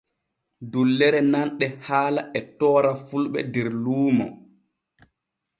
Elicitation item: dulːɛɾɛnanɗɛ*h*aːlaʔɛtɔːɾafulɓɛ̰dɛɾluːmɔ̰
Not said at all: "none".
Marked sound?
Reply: h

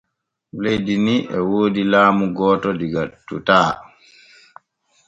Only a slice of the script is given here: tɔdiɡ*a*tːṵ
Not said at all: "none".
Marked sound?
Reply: a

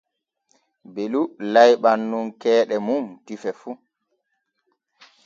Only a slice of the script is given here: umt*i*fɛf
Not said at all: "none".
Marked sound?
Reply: i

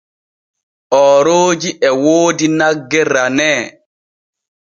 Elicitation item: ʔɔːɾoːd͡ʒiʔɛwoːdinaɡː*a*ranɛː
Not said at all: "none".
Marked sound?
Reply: ɛ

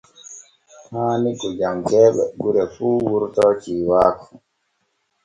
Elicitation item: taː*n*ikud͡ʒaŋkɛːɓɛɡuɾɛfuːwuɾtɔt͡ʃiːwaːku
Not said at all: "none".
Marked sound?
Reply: n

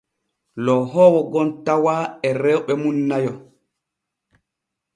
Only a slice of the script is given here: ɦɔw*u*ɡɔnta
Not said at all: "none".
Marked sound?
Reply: ɔ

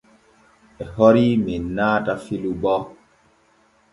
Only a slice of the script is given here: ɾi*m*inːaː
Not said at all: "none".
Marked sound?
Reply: m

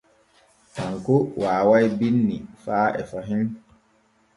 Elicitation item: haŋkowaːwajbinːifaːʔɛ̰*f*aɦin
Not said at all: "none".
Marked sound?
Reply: f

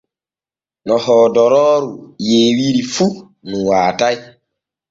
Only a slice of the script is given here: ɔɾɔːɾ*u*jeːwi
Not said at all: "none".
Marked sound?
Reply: u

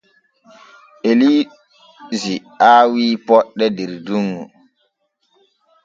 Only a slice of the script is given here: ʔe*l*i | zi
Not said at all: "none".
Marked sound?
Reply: l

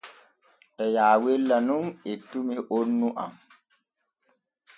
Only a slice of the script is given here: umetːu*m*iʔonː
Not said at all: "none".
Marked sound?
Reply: m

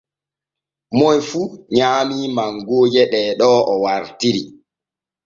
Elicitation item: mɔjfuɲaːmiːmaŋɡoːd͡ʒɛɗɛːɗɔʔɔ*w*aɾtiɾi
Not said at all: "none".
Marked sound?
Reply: w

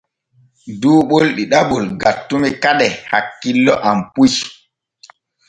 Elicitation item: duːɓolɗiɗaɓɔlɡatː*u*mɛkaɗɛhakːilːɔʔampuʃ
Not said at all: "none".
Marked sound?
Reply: u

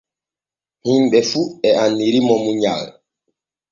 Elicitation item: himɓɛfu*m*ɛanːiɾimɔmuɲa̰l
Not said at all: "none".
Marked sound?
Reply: none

